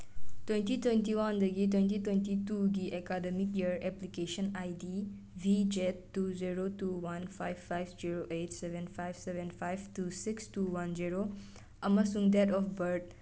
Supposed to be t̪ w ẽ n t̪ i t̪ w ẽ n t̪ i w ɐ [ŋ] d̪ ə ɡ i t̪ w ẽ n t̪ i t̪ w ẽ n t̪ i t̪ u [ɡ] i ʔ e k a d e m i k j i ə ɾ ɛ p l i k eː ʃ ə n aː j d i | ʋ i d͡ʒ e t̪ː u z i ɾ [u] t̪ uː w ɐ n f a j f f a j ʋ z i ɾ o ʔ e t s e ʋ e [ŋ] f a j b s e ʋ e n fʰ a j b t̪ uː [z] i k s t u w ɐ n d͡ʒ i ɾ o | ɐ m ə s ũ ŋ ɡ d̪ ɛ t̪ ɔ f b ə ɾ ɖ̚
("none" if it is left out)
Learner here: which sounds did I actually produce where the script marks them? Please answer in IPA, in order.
n, ɡ, o, n, s

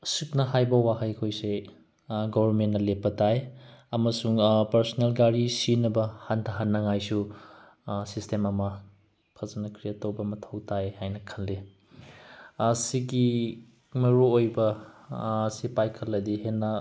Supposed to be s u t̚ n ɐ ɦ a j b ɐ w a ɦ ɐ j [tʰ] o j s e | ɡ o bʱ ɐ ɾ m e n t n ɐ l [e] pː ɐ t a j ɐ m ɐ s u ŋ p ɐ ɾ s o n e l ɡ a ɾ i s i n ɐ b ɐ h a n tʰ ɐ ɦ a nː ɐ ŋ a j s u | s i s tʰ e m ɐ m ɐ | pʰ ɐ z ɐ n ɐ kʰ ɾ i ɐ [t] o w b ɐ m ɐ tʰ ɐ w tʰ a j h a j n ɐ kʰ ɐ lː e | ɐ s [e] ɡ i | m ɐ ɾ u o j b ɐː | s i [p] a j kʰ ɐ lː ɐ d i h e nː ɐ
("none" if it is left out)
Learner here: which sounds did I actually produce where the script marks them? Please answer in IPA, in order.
kʰ, e, t, i, p

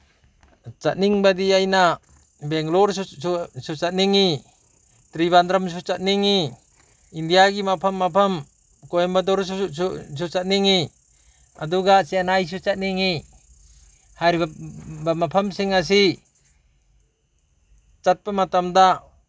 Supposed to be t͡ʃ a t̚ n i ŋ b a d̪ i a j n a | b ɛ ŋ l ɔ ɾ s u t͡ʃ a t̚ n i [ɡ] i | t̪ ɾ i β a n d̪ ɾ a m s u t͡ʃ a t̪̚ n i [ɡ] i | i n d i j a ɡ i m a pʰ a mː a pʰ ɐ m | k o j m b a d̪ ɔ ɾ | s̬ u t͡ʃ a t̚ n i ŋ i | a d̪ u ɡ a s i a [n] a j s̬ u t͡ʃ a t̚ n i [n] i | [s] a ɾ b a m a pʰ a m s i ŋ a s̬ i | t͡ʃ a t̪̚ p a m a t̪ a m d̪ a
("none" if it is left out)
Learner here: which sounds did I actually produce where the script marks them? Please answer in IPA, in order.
ŋ, ŋ, n, ŋ, h

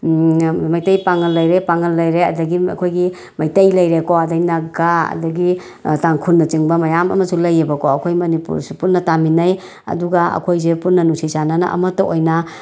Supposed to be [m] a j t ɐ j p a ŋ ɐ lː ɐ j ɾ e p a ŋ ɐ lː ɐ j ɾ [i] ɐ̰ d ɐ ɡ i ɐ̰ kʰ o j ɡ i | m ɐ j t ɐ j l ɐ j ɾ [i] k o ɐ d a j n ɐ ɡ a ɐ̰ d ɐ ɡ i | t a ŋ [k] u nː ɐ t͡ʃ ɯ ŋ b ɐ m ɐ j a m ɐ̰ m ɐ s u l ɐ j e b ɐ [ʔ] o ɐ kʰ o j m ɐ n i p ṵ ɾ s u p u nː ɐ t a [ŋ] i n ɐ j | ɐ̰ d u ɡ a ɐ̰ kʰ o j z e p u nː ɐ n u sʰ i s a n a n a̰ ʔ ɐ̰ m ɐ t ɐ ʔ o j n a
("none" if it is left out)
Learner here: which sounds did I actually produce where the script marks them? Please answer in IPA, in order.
m, e, e, kʰ, k, m

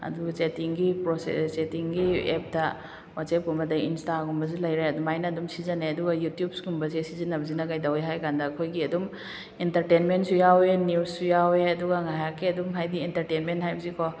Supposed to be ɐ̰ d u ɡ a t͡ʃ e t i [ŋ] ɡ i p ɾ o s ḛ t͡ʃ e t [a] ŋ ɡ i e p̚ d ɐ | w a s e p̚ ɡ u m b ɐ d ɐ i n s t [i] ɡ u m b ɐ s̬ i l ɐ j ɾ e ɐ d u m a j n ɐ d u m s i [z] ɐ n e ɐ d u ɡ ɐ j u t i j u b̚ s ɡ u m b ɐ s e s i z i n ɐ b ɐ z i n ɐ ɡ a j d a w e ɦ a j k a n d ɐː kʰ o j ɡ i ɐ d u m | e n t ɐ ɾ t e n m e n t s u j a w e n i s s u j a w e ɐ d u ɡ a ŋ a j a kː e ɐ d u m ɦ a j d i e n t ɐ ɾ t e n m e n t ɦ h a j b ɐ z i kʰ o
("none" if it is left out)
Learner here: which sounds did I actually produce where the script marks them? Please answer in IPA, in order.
ŋ, i, a, z

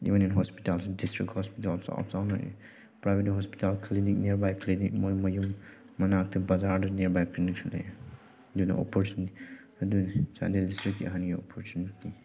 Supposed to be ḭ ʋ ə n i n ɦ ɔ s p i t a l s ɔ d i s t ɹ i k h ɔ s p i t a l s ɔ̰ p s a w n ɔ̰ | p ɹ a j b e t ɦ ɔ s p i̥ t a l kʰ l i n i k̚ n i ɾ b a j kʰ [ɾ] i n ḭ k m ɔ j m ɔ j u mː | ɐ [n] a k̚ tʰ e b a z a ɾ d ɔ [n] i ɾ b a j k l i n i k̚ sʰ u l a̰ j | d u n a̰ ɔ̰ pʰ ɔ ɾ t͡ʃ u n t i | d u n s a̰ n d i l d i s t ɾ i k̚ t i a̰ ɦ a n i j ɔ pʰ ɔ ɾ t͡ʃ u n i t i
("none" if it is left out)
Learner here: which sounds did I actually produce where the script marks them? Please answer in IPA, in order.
l, n, n

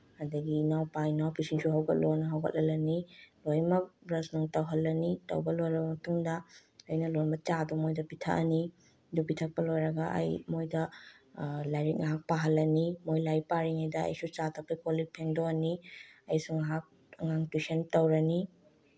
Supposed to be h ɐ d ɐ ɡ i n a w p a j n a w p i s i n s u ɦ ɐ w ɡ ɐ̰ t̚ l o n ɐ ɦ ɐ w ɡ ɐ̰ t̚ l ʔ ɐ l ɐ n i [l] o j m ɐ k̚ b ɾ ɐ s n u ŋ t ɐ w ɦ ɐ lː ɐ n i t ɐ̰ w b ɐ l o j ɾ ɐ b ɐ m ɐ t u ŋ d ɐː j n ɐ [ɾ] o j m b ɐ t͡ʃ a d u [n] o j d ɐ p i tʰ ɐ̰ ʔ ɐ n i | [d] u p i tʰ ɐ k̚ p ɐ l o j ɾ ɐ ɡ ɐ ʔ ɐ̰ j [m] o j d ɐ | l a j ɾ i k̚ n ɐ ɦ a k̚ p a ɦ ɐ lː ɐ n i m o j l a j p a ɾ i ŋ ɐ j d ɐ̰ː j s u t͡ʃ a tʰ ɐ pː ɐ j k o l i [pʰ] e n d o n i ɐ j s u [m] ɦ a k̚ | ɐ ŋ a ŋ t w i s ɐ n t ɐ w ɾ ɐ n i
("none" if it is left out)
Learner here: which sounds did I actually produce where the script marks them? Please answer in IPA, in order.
l, l, m, d, m, pʰ, ŋ

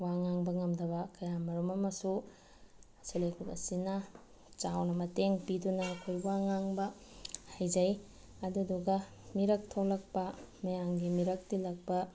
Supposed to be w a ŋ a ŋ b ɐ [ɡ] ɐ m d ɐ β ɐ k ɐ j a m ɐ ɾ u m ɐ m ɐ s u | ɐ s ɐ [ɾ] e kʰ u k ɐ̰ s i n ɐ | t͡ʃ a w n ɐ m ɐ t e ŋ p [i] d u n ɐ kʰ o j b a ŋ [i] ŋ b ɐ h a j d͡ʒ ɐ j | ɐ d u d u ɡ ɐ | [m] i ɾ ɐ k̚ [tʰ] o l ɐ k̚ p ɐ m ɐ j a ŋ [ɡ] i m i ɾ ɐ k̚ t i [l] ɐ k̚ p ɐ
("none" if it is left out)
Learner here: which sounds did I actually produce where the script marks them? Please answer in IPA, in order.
ŋ, l, i, a, m, tʰ, ɡ, l

